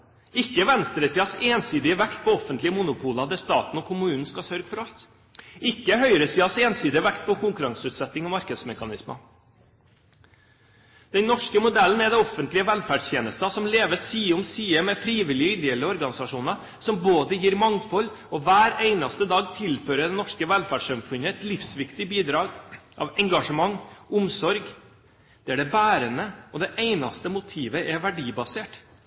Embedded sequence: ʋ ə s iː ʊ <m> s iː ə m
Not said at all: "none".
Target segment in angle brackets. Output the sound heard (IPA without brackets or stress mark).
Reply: m